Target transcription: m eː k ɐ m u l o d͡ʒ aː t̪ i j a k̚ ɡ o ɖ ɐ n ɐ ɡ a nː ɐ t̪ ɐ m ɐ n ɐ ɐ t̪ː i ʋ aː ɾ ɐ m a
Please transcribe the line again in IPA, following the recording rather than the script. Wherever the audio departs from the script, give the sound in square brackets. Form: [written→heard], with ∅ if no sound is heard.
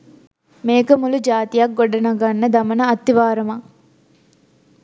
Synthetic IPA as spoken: m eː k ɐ m u l [o→u] d͡ʒ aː t̪ i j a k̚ ɡ o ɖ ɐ n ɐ ɡ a nː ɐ [t̪→d̪] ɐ m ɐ n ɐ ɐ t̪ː i ʋ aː ɾ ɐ m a